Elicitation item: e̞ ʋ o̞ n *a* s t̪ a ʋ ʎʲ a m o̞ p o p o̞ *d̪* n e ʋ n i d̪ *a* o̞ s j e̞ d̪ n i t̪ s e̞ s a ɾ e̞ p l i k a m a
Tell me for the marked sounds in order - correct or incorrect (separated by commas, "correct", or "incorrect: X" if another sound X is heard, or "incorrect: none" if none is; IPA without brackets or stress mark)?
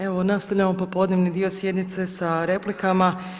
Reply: correct, correct, incorrect: i